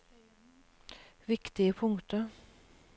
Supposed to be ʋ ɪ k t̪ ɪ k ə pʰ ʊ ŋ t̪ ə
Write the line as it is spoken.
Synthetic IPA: ʋ ɪ k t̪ ɪ ə pʰ ʊ ŋ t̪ ə